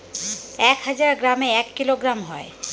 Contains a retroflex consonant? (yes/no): no